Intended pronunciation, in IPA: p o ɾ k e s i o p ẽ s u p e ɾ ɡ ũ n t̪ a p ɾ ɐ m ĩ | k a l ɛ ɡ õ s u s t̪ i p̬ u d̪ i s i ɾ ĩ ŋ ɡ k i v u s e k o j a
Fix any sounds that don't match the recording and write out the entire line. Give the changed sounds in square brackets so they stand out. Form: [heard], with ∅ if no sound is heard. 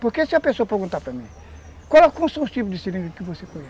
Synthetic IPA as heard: p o ɾ k e s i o p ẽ s [o] p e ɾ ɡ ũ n t̪ a p ɾ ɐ m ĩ | k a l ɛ [k] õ s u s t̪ i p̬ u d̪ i s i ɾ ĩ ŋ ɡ k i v [o] s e k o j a

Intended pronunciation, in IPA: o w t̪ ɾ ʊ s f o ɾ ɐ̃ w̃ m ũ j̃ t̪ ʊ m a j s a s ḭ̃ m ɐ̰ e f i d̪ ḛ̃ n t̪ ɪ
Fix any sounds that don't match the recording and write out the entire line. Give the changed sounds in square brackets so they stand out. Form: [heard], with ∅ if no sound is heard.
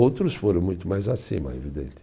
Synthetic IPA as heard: o w t̪ ɾ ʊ s f o ɾ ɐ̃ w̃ m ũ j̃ t̪ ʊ m a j [z] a s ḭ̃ m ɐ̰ e [v] i d̪ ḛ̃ n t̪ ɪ

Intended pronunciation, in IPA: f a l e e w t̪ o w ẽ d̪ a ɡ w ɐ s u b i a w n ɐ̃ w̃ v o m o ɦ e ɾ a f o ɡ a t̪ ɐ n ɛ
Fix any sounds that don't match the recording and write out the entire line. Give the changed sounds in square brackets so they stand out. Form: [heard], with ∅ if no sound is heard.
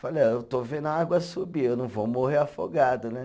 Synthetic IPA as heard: f a l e e w t̪ o [v] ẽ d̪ a ɡ w ɐ s u b i [e] w n ɐ̃ w̃ v o m o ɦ e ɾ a f o ɡ a [d̪] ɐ n ɛ

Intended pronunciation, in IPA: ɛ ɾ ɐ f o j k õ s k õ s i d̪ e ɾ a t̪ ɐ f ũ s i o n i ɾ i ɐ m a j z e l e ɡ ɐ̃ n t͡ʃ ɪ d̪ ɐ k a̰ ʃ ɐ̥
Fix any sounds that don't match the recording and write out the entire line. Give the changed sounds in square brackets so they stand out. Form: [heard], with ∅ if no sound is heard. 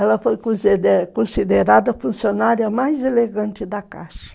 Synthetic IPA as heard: ɛ [l] ɐ f o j k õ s k õ s i d̪ e ɾ a [d̪] ɐ f ũ s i o n [a] ɾ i ɐ m a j z e l e ɡ ɐ̃ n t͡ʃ ɪ d̪ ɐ k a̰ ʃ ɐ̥

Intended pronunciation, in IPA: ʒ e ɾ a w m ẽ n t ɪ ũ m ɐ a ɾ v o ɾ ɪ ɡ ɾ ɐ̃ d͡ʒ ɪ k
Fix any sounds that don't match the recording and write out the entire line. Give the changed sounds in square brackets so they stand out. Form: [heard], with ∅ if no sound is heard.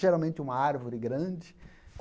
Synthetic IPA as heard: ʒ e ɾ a w m ẽ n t ɪ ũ m ɐ a ɾ v o ɾ ɪ ɡ ɾ ɐ̃ d͡ʒ ɪ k

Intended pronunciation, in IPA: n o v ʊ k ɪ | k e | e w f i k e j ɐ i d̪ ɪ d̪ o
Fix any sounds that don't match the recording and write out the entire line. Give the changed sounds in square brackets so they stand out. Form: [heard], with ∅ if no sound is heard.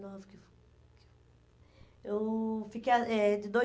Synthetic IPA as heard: n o v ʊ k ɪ | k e | e w f i k e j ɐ [ɛ] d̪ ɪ d̪ o

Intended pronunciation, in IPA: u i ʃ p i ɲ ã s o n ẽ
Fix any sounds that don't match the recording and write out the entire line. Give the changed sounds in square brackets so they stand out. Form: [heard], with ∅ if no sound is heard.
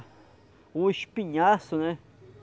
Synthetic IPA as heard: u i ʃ p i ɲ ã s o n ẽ

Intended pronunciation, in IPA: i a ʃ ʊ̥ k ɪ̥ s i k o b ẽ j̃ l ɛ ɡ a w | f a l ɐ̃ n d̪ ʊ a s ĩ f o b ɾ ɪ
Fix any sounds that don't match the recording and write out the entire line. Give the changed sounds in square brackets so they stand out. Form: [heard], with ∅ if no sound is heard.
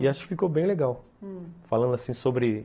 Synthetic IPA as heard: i a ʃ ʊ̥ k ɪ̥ [f] i k o b ẽ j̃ l [e] ɡ a w | f a l ɐ̃ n d̪ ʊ a s ĩ [s] o b ɾ ɪ

